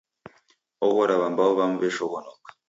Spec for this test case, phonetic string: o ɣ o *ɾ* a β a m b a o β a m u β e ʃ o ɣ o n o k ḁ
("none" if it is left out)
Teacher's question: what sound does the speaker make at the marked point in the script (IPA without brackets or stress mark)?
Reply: ɾ